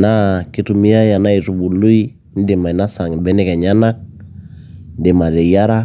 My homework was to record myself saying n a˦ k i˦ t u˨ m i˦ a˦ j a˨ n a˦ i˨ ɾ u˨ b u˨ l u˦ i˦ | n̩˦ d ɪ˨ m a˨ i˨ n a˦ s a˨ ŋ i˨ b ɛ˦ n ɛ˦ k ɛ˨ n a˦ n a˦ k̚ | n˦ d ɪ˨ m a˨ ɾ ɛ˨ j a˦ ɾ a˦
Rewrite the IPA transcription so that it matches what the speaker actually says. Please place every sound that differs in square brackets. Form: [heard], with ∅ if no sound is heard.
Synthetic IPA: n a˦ k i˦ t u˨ m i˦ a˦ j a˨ n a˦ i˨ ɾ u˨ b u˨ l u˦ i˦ | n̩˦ d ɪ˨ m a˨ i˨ n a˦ s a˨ ŋ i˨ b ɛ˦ n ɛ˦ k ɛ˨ [ɲ] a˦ n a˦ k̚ | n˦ d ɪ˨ m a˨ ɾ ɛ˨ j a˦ ɾ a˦